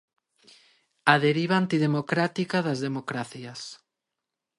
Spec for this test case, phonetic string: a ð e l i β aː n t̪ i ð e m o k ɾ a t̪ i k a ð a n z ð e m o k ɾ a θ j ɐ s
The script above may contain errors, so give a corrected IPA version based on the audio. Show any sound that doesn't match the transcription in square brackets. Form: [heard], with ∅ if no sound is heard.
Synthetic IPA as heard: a ð e [ɾ] i β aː n t̪ i ð e m o k ɾ a t̪ i k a ð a [∅] z ð e m o k ɾ a θ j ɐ s